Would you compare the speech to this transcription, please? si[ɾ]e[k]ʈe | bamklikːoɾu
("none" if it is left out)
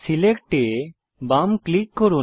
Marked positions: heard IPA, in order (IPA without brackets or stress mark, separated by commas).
l, k